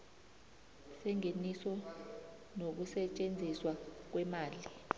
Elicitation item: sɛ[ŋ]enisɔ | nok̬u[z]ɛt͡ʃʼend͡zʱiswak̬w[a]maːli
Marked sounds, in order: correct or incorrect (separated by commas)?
correct, incorrect, incorrect